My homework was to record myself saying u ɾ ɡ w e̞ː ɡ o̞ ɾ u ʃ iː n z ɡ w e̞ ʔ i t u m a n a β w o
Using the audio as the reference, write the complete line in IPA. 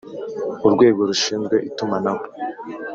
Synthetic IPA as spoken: u ɾ ɡ w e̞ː ɡ o̞ ɾ u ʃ iː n z ɡ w e̞ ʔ i t u m a n a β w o